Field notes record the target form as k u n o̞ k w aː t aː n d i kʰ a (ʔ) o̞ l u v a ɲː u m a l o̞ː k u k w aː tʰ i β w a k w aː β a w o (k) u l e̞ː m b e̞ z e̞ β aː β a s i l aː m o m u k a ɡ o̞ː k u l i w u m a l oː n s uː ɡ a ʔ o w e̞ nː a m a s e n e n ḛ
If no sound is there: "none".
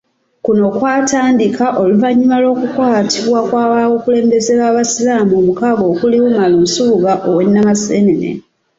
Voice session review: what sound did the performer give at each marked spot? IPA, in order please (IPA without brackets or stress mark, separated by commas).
ʔ, k